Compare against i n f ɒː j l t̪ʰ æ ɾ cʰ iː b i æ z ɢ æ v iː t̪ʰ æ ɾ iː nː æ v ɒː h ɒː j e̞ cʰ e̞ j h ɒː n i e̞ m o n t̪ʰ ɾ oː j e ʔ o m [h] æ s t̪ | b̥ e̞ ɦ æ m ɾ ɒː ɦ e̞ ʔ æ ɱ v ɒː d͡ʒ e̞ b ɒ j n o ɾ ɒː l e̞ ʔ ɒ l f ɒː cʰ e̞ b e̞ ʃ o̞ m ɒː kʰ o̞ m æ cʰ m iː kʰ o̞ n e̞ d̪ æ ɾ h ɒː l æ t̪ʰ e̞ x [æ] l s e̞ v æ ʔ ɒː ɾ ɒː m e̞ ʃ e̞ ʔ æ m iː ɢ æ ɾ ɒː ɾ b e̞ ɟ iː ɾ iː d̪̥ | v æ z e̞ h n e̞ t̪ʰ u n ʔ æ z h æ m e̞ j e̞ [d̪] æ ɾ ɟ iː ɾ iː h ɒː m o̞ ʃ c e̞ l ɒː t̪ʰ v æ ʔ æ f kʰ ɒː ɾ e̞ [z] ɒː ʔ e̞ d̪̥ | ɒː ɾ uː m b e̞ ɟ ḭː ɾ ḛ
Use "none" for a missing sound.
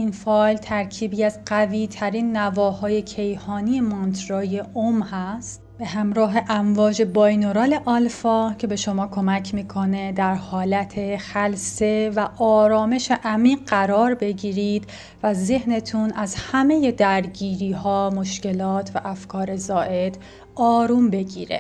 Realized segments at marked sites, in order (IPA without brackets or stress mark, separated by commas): h, æ, d̪, z